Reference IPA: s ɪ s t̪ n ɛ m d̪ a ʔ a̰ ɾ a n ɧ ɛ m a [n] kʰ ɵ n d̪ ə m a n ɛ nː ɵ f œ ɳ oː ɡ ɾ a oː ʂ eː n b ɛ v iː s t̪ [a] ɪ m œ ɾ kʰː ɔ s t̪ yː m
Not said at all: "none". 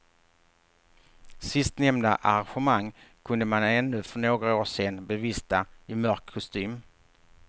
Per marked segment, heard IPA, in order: ŋ, a

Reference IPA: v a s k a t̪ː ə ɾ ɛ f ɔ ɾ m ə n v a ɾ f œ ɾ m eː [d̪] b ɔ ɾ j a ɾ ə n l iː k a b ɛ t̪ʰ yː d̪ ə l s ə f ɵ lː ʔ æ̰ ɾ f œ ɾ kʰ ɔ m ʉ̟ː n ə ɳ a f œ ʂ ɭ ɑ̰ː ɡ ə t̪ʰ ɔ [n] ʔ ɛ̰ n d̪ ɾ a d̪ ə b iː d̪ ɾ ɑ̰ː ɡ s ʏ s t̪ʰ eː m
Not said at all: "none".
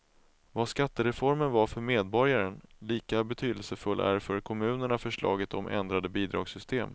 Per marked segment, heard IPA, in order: d̪, m

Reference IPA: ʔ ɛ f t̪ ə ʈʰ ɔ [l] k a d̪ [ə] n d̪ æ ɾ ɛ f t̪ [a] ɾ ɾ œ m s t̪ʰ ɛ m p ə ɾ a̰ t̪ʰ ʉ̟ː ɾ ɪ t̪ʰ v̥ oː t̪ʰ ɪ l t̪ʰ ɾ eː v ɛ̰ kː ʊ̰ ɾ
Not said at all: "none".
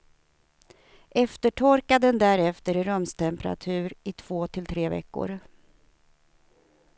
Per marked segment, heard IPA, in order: ɾ, ə, ə

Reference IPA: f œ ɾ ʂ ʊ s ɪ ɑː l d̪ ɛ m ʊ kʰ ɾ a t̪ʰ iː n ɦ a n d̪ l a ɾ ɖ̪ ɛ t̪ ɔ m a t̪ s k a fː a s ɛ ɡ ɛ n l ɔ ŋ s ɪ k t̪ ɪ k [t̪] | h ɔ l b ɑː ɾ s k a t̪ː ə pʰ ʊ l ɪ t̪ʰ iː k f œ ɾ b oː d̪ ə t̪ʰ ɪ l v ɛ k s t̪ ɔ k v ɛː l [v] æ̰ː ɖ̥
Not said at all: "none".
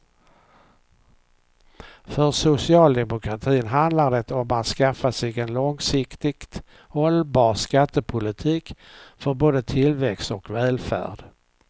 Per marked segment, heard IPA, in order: t̪, f

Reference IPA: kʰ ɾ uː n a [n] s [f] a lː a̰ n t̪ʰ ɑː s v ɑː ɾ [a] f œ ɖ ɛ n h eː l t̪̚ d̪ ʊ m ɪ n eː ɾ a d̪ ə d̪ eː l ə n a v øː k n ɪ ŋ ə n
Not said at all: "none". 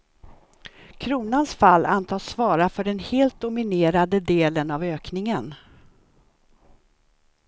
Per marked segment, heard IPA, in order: n, f, a

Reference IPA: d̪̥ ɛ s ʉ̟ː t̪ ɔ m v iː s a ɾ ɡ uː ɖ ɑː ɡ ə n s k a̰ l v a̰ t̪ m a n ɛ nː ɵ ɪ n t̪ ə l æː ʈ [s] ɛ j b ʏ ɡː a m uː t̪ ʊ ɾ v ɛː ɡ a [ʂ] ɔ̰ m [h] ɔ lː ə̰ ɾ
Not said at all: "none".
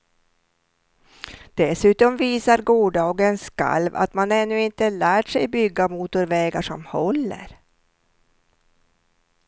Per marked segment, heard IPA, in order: ʂ, ʂ, h

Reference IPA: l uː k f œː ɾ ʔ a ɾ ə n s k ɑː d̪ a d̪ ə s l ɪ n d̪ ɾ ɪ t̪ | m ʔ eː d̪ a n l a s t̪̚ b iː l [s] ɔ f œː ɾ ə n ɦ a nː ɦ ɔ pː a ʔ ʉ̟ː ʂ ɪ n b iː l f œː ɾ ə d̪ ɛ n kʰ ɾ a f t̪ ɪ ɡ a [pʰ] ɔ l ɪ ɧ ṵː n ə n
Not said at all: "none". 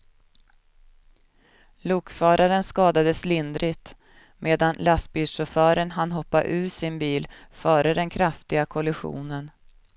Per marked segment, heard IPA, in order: ʂ, kʰ

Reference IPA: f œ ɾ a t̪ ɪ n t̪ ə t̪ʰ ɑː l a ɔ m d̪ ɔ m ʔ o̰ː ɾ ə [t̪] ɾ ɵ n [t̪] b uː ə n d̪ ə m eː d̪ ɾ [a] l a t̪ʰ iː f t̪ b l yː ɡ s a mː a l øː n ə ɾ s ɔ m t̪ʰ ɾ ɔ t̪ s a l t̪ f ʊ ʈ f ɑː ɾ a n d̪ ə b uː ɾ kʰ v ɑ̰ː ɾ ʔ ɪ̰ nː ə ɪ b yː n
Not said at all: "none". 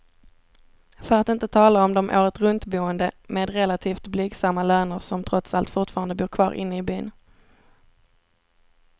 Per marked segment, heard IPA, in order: t̪, t̪, ɛ

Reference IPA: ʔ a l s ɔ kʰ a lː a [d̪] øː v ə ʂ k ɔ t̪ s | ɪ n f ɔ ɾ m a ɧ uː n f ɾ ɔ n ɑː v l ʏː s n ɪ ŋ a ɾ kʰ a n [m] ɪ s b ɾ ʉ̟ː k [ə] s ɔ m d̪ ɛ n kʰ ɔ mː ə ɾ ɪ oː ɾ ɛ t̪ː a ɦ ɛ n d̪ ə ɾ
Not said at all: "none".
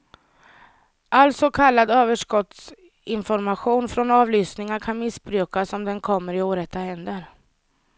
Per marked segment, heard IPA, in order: d̪, m, a

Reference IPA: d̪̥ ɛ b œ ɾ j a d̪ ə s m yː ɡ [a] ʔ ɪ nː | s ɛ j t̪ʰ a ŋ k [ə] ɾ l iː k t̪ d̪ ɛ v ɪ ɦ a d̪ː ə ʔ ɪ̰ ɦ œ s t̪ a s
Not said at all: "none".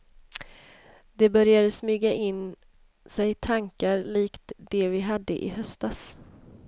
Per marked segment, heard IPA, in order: a, a

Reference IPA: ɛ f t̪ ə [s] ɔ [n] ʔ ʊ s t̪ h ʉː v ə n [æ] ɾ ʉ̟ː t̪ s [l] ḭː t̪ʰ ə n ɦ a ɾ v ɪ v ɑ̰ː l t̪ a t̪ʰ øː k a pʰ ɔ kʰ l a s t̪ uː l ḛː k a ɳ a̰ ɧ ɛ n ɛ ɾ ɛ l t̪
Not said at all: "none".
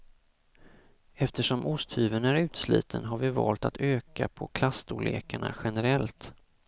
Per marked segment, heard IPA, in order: ʂ, m, æ, l

